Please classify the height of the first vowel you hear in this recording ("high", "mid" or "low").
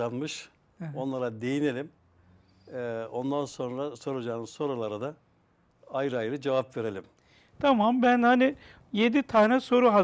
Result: low